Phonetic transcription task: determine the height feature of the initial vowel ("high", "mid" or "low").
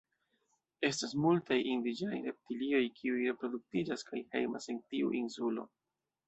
mid